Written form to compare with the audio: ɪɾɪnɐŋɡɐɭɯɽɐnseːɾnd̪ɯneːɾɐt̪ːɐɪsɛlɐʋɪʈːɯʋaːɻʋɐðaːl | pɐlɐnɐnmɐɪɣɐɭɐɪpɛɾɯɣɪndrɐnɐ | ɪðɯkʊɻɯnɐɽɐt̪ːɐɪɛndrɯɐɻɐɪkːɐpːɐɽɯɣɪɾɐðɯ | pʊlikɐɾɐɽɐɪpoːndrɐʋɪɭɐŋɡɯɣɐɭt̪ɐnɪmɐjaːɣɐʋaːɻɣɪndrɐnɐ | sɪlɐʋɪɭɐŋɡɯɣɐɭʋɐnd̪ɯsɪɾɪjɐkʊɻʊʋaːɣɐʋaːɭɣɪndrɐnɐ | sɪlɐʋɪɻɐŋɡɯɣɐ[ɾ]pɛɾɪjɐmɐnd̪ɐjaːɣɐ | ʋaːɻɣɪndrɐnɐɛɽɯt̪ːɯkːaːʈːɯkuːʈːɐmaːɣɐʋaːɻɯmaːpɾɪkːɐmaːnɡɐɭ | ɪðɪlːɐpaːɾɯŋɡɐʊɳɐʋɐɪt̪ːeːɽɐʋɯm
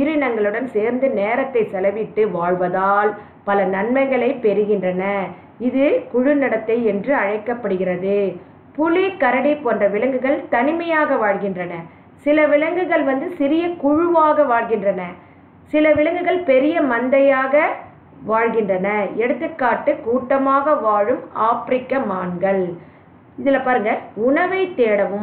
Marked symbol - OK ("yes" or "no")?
no